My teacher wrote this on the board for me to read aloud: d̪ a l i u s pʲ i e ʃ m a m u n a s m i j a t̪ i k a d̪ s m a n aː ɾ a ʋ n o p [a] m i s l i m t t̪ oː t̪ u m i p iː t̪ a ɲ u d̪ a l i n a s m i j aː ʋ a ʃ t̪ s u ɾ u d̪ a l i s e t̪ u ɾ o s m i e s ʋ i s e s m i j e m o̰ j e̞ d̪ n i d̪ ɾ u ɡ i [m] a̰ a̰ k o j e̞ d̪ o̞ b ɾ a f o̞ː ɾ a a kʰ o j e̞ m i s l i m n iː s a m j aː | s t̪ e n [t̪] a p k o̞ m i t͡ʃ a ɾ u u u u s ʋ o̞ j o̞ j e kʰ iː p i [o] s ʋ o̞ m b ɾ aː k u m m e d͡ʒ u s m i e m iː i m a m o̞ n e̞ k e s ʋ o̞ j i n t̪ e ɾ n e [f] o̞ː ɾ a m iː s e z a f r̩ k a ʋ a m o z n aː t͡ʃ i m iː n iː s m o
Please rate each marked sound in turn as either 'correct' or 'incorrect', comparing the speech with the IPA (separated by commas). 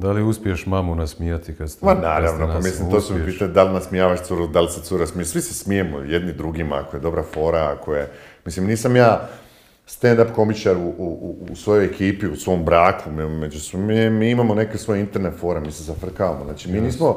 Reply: correct, correct, incorrect, incorrect, correct